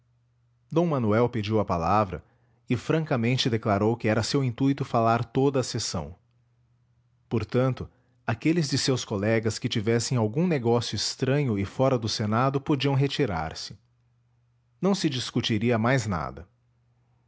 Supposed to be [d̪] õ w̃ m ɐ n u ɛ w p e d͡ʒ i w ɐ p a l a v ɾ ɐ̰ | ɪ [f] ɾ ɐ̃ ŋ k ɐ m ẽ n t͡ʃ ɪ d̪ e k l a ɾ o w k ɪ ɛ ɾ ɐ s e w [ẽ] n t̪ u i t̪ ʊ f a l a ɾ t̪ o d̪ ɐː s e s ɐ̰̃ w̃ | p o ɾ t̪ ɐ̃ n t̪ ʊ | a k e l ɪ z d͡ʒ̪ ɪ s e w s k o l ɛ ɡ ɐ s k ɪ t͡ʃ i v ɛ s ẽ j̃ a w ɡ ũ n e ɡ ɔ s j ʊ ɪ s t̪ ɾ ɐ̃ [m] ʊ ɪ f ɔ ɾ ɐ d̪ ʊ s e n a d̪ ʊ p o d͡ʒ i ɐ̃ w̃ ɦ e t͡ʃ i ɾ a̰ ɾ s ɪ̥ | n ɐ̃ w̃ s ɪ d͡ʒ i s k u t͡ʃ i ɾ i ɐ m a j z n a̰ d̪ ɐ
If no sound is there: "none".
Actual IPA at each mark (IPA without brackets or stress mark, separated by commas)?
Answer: d̪, f, ĩ, ɲ